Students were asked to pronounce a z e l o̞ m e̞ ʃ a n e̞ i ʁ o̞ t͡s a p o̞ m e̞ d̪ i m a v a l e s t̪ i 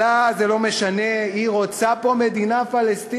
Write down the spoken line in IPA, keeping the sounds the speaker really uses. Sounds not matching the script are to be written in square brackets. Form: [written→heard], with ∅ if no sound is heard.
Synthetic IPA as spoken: a z e l o̞ m e̞ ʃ a n e̞ i ʁ o̞ t͡s a p o̞ m e̞ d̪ i [m→n] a [v→f] a l e s t̪ i